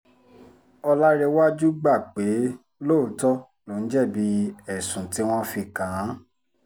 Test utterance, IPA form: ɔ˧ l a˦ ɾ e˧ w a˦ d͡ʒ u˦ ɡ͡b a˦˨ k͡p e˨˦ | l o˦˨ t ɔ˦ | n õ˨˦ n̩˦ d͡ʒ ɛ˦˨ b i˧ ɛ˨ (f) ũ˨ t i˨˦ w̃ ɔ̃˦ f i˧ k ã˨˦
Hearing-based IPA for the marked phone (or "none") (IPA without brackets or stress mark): s